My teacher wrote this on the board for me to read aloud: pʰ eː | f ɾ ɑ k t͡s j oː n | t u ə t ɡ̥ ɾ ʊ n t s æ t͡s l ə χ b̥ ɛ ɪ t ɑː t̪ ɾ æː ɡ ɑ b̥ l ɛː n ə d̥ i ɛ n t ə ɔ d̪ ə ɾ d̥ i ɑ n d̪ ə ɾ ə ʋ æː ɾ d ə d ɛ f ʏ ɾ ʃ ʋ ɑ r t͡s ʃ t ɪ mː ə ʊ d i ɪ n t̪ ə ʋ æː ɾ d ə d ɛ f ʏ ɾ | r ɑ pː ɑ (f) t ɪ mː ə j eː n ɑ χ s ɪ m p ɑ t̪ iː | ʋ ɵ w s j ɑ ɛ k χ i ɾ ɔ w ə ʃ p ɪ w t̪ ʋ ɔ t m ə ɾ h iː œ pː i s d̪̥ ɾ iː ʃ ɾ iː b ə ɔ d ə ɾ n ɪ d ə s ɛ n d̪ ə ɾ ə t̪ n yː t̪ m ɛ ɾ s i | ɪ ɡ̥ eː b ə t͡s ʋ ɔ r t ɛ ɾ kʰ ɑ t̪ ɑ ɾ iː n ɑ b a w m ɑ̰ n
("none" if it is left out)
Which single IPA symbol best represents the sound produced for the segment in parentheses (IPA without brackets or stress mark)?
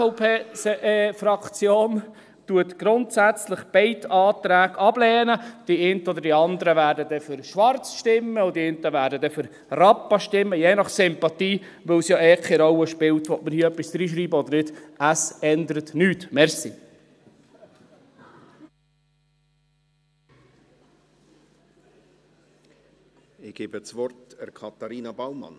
ʃ